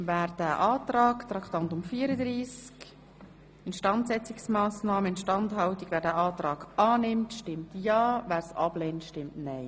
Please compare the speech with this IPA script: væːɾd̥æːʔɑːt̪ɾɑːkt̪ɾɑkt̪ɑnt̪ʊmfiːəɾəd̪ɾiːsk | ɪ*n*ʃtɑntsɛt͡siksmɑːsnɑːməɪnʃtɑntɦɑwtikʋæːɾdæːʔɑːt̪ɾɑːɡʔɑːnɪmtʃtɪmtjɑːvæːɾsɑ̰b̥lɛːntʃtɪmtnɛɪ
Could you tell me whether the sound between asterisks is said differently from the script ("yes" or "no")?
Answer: no